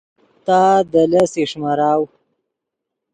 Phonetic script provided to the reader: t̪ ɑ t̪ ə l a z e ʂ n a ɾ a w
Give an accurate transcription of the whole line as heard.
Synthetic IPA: t̪ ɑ d̪ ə l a s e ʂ m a ɾ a w